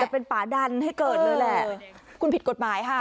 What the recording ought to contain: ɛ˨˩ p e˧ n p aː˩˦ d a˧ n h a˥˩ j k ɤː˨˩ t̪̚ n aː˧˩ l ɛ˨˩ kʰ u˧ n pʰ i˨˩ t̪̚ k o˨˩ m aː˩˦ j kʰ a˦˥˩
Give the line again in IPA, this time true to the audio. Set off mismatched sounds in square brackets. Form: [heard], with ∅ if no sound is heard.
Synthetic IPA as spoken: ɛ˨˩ p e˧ n p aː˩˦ d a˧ n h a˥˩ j k ɤː˨˩ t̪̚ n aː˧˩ l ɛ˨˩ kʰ u˧ n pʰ i˨˩ t̪̚ k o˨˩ m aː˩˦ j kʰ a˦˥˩